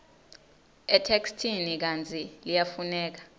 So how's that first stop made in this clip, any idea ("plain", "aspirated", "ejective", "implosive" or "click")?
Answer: aspirated